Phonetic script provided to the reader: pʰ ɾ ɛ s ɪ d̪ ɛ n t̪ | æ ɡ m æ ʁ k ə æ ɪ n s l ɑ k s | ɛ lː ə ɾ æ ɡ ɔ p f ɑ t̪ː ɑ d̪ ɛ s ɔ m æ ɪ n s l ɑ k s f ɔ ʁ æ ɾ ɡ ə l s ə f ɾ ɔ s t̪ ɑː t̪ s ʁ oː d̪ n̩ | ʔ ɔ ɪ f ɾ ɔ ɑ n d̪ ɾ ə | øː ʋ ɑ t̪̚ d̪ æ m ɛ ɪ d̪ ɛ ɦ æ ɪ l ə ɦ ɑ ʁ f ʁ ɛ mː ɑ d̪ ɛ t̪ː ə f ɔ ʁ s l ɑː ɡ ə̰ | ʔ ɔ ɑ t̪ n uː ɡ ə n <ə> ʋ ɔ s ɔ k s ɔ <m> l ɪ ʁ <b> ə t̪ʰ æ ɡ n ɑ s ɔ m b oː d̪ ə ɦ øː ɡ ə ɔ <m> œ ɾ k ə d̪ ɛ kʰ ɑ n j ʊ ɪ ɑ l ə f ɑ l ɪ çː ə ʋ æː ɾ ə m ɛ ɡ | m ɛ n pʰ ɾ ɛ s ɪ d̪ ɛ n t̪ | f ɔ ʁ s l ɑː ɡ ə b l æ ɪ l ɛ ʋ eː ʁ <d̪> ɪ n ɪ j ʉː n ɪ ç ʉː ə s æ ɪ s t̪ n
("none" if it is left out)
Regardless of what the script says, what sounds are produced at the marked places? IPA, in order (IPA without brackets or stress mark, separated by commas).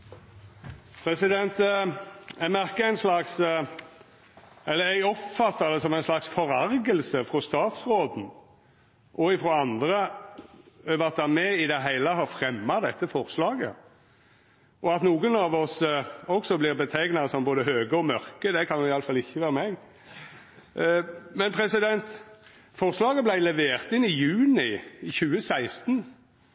ɑ, b, b, m, t̪